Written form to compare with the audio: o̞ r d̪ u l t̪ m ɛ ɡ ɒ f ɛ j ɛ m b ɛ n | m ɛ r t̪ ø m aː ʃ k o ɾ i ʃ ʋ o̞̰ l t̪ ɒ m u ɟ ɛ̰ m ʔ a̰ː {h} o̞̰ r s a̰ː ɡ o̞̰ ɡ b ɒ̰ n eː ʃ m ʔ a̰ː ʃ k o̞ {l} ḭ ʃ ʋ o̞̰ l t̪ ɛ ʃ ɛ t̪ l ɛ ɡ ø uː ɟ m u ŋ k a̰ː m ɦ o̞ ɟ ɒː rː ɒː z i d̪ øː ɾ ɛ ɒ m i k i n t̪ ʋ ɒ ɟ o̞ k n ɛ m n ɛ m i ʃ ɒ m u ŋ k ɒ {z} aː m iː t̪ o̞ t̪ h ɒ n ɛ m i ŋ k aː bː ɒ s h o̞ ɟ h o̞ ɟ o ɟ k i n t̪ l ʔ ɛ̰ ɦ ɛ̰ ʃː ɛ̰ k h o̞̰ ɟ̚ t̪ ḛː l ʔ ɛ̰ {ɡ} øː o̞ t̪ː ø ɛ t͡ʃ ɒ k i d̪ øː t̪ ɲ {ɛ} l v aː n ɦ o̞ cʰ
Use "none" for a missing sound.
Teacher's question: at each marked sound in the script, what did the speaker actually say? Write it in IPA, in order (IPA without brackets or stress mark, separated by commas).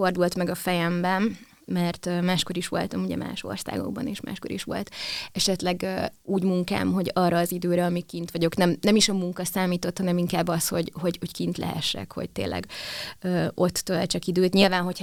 ʃ, ɾ, s, ɡ, i